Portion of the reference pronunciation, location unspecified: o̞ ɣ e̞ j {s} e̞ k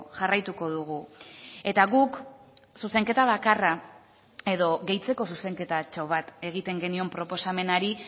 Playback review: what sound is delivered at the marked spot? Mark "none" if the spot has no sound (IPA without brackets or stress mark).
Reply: t͡s